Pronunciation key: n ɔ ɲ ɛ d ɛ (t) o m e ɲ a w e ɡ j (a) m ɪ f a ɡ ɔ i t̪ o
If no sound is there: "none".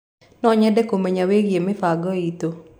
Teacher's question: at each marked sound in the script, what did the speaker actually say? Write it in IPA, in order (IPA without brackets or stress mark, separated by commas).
k, e